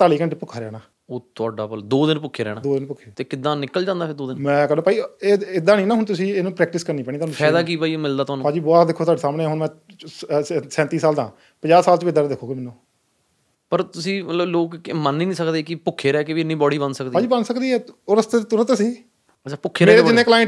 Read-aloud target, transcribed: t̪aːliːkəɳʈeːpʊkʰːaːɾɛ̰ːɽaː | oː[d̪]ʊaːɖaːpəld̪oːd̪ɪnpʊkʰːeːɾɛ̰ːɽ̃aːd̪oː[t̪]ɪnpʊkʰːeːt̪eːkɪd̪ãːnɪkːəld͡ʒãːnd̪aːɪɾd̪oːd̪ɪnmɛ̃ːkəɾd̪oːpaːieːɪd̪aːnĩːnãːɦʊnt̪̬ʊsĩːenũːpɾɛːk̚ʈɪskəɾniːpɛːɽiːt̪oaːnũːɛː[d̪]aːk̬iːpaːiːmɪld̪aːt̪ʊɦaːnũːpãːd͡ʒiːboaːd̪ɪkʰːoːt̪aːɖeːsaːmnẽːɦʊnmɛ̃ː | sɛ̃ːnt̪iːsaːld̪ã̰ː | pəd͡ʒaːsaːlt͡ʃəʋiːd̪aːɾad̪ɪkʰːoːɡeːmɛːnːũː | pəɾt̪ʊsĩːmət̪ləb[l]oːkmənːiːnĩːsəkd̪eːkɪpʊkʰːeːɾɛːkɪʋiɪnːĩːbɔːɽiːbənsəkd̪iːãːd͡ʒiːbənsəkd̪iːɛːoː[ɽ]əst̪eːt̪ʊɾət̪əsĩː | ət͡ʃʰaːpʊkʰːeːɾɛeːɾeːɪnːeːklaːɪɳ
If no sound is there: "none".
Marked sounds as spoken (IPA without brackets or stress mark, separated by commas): t̪, d̪, d̪, l, ɾ